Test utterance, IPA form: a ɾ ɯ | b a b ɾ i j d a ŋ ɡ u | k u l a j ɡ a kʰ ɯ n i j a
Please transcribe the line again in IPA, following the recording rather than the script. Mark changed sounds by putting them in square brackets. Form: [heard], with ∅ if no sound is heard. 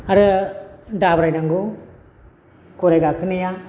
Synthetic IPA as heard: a ɾ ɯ | [d] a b ɾ [a] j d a ŋ ɡ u | k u [ɾ] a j ɡ a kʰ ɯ n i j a